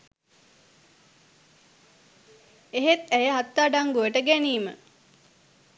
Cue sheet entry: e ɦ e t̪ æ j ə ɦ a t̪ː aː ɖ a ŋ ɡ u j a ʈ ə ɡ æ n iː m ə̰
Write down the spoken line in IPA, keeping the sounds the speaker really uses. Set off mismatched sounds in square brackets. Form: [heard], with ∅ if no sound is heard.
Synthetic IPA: e ɦ e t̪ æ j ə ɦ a t̪ː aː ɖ a ŋ ɡ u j [ə] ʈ ə ɡ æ n iː m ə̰